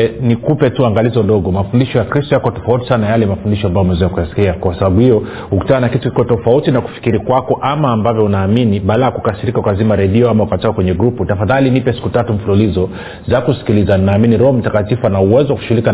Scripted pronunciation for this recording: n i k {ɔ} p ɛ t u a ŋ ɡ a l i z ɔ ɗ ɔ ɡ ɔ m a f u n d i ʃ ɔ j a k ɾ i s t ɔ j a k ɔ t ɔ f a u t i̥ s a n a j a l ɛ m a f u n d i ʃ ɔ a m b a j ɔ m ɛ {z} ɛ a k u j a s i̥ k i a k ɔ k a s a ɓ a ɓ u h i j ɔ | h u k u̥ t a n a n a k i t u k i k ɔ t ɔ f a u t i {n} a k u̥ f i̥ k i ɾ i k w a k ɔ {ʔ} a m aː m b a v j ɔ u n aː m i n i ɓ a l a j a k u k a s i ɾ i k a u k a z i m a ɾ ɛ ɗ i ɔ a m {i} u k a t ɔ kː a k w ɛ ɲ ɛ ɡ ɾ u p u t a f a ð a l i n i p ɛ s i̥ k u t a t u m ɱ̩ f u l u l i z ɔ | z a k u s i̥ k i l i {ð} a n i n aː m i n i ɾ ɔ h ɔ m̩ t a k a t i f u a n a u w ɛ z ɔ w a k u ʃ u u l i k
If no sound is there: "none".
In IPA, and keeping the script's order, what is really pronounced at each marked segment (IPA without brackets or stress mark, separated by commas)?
u, z, n, ʔ, a, z